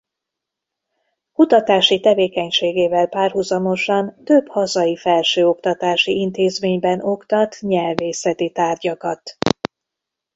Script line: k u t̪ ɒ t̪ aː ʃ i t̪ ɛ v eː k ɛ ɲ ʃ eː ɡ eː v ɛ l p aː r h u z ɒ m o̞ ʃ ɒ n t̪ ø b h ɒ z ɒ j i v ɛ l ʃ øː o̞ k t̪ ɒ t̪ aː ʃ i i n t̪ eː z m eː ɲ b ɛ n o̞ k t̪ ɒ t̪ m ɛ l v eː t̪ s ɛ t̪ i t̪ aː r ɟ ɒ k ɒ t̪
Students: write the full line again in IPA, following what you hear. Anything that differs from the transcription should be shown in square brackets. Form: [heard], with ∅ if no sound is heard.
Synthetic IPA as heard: k u t̪ ɒ t̪ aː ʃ i t̪ ɛ v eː k ɛ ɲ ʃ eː ɡ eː v ɛ l p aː r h u z ɒ m o̞ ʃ ɒ n t̪ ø b h ɒ z ɒ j i [f] ɛ l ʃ øː o̞ k t̪ ɒ t̪ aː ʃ i i n t̪ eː z m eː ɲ b ɛ n o̞ k t̪ ɒ t̪ [ɲ] ɛ l v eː [∅] s ɛ t̪ i t̪ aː r ɟ ɒ k ɒ t̪